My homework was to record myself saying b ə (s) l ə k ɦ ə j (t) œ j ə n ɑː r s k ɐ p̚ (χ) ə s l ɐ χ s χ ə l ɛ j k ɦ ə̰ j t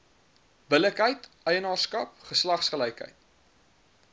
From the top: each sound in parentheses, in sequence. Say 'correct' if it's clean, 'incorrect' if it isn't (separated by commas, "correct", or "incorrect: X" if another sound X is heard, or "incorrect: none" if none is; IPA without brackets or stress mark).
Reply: incorrect: none, correct, correct